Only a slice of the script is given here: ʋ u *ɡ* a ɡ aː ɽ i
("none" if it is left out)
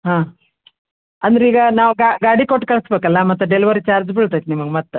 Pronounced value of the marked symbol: ɡ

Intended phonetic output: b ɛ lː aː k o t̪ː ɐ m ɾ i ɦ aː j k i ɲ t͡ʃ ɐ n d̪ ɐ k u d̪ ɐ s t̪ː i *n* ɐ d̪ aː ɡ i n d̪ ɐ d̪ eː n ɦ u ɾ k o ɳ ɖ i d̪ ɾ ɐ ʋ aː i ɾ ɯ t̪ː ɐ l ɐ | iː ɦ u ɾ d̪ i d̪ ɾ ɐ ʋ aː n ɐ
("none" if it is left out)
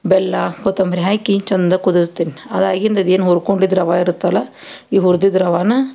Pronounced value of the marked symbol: n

